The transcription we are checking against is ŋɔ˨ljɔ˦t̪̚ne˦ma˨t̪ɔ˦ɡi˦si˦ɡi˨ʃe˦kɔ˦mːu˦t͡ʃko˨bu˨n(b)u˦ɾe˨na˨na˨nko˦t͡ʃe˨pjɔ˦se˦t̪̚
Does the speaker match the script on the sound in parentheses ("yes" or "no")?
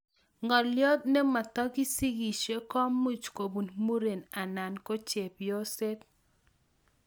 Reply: no